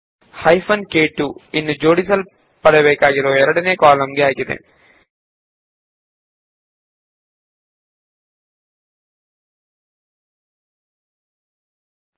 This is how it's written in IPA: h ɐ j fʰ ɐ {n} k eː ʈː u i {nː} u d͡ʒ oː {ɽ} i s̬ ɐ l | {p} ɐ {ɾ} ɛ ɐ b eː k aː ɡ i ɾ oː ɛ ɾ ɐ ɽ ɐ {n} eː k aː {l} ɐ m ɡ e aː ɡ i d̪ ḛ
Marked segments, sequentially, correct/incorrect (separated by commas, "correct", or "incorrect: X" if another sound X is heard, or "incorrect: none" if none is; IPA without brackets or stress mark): correct, correct, correct, correct, incorrect: ɽ, correct, correct